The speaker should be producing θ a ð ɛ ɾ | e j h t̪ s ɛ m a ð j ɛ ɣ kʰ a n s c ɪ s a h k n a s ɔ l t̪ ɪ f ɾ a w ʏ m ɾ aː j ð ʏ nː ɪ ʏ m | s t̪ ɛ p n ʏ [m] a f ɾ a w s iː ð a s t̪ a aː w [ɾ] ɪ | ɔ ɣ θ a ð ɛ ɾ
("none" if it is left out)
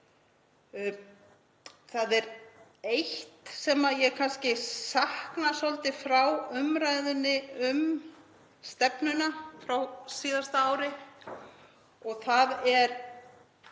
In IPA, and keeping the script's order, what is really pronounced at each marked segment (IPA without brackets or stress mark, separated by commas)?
n, ɾ